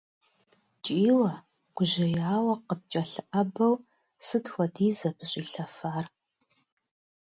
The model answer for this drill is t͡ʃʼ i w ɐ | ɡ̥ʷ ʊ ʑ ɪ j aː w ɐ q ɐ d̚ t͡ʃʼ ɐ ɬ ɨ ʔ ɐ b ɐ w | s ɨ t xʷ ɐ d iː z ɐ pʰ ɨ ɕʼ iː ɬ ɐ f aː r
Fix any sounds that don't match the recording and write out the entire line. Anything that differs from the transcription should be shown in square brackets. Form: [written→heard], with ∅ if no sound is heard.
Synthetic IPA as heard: t͡ʃʼ [i→iː] w ɐ | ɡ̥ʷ ʊ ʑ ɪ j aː w ɐ q [ɐ→ə] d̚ t͡ʃʼ ɐ ɬ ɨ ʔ ɐ b ɐ w | s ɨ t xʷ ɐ d iː z ɐ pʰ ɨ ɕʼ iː ɬ ɐ f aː r